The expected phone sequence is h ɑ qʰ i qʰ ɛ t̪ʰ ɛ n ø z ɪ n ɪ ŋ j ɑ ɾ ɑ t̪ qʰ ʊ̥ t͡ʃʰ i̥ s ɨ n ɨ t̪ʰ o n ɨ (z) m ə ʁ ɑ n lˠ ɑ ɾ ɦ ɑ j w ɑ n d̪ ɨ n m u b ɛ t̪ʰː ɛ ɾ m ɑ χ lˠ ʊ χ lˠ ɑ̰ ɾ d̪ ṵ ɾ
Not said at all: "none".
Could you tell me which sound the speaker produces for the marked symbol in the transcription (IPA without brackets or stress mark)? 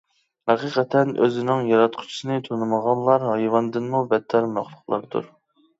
none